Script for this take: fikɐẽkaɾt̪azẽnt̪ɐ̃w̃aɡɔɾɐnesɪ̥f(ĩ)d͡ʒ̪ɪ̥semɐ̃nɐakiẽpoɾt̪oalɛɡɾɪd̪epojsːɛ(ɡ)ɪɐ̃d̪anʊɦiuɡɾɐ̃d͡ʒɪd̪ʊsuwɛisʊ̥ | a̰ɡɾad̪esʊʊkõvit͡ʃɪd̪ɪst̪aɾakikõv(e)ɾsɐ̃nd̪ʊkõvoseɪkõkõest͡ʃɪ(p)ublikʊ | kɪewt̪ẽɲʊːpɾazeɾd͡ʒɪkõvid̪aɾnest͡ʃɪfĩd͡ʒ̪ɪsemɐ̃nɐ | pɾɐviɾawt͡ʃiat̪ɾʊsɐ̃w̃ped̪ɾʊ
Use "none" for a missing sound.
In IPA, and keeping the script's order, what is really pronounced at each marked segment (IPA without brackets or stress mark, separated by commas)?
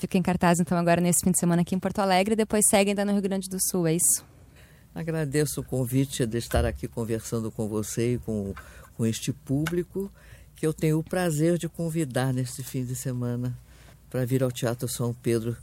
ĩ, ɡ, e, p